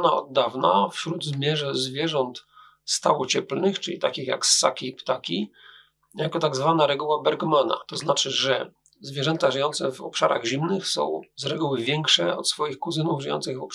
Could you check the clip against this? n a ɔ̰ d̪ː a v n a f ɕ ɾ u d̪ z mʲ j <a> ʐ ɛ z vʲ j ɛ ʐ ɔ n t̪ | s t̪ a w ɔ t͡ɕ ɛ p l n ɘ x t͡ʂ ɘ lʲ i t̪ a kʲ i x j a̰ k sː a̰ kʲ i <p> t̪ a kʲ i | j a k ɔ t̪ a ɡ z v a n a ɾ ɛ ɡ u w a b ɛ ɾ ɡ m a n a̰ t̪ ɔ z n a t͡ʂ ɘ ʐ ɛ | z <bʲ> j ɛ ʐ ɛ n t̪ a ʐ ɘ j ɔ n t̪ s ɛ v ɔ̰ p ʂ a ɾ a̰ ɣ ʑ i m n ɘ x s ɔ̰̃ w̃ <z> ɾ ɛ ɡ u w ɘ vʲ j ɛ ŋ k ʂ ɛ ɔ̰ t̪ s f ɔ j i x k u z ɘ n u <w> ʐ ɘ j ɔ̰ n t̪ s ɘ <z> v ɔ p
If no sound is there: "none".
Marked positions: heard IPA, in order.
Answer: ɛ, p, vʲ, z, v, ɣ

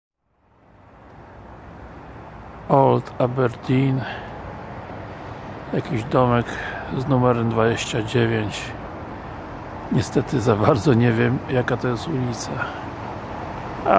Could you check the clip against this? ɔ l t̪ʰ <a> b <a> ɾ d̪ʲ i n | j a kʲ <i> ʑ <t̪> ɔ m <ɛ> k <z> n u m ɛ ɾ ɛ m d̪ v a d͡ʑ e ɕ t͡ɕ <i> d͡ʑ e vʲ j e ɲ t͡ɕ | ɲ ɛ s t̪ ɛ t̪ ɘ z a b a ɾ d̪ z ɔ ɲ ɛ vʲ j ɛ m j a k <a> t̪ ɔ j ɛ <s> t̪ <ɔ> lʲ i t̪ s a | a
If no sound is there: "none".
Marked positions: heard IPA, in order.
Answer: a, ɛ, i, d̪, ɛ, z, a, a, s, u

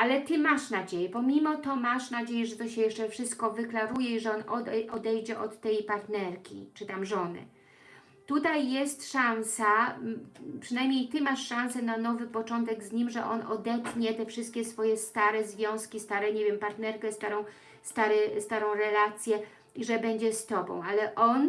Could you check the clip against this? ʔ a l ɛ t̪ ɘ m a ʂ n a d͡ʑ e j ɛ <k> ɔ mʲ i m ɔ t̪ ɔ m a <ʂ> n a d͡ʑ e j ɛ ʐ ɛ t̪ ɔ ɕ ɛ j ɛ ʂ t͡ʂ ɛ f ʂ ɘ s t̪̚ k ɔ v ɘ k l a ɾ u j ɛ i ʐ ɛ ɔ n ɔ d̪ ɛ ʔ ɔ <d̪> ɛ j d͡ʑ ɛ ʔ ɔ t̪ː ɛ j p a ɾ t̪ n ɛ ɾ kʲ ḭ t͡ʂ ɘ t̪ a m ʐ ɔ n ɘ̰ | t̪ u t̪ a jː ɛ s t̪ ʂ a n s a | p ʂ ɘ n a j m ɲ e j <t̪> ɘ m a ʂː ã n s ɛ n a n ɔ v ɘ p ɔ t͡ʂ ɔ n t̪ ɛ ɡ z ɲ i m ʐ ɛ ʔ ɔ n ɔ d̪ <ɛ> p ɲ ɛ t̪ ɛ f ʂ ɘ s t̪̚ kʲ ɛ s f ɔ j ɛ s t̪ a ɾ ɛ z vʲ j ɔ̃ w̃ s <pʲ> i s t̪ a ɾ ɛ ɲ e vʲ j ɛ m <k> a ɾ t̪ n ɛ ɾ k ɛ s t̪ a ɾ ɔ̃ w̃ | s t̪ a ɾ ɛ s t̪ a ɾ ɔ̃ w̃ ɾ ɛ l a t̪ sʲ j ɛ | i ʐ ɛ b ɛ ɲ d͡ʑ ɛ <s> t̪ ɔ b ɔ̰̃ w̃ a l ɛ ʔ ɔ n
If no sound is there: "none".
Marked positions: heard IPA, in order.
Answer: p, ʂ, d̪, t̪, ɛ, kʲ, p, s

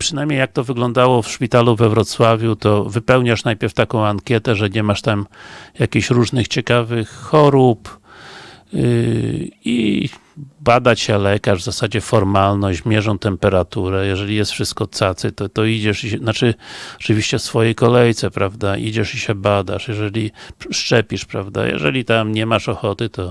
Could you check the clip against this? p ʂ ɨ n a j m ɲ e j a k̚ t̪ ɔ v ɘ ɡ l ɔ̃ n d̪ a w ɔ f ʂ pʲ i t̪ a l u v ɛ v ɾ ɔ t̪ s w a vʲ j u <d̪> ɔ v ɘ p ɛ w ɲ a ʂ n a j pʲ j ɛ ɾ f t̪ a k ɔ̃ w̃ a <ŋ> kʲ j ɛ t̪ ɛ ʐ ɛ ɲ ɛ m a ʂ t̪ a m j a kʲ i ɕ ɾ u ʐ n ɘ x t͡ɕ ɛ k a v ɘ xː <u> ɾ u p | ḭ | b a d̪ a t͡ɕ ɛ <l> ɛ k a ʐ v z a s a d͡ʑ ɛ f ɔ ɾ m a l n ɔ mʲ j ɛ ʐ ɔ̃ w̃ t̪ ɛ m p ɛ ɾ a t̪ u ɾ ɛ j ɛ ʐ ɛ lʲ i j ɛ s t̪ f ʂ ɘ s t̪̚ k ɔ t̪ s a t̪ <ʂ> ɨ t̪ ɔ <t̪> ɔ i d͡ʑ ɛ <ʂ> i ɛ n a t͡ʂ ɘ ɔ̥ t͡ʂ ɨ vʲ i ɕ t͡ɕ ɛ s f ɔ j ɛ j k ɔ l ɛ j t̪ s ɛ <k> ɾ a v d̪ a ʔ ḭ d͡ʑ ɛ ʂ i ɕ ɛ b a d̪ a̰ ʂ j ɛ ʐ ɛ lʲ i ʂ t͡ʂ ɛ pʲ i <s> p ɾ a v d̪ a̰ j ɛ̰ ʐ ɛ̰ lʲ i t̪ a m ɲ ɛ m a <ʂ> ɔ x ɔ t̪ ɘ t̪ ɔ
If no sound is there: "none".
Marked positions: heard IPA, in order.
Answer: t̪, ŋ, ɔ, l, s, t̪, ʂ, p, ʂ, ʂ

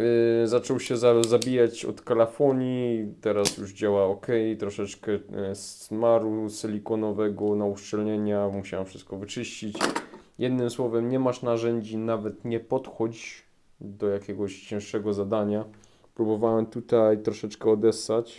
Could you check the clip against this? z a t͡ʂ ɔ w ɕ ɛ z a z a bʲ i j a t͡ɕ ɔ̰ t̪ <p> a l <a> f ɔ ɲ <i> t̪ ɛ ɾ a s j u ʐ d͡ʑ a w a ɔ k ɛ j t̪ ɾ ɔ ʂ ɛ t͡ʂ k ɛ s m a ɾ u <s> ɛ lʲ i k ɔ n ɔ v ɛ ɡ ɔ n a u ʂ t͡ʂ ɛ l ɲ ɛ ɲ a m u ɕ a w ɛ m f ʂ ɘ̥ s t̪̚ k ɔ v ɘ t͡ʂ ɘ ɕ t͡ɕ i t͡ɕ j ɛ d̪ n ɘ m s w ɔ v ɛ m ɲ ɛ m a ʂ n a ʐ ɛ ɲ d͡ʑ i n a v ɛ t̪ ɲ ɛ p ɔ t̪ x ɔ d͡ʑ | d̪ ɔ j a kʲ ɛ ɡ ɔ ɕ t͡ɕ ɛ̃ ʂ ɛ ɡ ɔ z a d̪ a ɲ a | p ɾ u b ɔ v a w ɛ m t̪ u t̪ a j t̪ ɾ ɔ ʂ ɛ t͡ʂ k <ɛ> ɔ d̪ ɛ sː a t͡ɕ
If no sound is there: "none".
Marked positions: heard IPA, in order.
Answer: k, a, i, s, ɛ

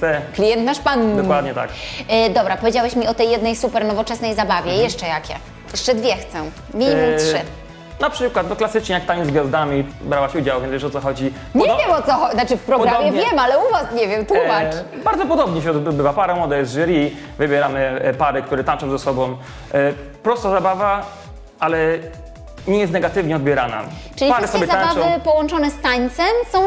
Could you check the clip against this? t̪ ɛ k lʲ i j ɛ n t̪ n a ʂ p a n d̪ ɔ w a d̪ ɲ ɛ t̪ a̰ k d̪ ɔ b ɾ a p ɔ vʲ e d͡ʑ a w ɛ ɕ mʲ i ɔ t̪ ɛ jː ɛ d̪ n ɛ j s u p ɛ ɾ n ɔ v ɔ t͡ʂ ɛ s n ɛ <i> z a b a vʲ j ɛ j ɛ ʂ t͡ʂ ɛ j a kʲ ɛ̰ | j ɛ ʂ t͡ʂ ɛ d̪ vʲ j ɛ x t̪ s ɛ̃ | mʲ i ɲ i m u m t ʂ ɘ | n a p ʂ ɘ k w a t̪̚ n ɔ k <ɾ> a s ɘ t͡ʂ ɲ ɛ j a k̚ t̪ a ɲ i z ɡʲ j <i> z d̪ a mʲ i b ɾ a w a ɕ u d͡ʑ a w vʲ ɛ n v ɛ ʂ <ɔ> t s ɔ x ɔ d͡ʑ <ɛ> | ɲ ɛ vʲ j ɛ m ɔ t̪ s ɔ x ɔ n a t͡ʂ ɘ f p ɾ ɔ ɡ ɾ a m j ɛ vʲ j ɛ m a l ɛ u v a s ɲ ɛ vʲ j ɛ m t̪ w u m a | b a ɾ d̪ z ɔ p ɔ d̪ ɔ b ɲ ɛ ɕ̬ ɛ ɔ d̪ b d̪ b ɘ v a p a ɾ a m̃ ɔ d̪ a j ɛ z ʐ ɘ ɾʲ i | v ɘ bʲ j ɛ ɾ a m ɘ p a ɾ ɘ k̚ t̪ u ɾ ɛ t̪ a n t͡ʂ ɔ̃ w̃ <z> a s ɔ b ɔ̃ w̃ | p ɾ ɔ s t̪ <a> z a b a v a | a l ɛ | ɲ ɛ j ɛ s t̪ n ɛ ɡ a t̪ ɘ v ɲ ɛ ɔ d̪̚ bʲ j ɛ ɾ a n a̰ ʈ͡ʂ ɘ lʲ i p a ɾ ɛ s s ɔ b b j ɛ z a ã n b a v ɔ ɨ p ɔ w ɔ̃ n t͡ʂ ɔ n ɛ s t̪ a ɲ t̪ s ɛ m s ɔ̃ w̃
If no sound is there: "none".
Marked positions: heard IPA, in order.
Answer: j, l, a, ɔ, i, z, a

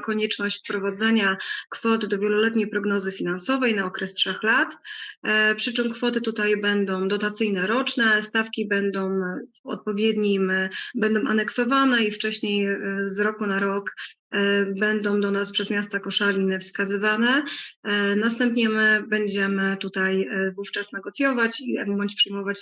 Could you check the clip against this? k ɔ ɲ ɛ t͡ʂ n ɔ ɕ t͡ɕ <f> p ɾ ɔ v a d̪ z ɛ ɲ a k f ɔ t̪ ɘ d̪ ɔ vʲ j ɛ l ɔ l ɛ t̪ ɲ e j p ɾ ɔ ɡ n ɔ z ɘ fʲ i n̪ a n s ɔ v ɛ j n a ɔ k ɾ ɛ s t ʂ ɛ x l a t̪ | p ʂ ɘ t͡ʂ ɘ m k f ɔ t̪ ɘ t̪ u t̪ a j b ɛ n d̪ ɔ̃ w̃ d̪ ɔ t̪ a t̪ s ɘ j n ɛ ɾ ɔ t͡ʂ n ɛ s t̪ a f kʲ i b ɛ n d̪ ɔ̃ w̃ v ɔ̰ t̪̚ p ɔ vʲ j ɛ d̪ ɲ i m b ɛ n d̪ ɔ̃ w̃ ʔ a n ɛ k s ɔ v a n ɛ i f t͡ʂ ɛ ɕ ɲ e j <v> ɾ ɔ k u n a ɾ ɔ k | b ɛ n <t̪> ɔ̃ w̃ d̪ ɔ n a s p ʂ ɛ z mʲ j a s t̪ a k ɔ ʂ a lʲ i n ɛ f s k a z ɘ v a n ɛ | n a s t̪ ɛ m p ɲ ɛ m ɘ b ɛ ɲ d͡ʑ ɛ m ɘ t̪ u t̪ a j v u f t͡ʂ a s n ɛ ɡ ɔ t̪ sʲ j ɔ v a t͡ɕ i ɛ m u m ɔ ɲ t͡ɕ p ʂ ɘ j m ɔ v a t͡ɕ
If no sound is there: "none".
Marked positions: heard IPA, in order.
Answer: f, z, d̪

